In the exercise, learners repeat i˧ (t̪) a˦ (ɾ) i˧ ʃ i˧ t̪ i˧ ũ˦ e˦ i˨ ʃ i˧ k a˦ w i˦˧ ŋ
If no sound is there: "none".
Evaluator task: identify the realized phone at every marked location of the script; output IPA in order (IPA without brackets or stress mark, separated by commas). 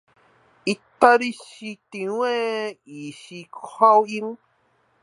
t̪, ɾ